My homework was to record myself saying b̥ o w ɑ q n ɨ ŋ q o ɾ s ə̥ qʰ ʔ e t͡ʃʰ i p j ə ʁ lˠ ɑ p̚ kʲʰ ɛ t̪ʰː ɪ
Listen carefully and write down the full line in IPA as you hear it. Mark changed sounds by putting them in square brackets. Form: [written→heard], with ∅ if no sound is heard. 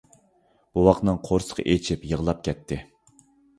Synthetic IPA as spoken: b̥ [o→u] w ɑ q n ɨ ŋ [q→qʰ] o ɾ s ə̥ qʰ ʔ e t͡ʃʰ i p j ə ʁ lˠ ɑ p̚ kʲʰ ɛ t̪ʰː ɪ